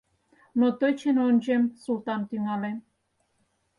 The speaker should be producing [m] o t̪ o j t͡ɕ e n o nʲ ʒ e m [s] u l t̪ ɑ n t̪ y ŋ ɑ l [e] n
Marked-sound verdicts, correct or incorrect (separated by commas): incorrect, correct, correct